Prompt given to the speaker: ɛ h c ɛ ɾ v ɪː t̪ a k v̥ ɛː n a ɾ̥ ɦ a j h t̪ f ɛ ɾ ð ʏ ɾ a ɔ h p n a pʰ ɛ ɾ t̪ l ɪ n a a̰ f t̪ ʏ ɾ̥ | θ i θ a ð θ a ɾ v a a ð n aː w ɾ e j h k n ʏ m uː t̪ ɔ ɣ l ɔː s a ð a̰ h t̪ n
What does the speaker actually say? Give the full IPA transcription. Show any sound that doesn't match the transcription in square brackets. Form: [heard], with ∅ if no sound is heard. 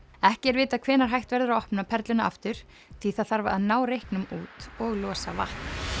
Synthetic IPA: ɛ h c ɛ ɾ v ɪː t̪ a [kʰ] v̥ ɛː n a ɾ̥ ɦ a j h t̪ [v] ɛ ɾ ð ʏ ɾ a ɔ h p n a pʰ ɛ ɾ t̪ l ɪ n a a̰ f t̪ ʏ ɾ̥ | θ i θ a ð θ a ɾ v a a ð n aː w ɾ e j h k n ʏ m uː t̪ ɔ ɣ l ɔː s a [v] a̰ h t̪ n